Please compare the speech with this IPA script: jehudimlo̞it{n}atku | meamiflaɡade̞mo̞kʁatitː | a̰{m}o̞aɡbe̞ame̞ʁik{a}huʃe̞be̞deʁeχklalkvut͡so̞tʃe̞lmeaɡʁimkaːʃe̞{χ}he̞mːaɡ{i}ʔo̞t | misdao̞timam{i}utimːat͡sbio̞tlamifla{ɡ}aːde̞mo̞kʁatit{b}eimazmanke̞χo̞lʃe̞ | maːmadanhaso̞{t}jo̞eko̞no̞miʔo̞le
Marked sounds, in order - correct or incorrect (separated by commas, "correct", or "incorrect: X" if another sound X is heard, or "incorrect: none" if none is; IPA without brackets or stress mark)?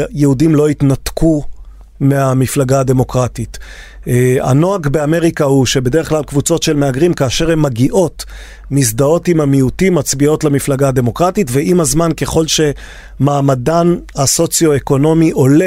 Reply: correct, incorrect: n, correct, incorrect: ʁ, correct, correct, correct, incorrect: v, incorrect: t͡s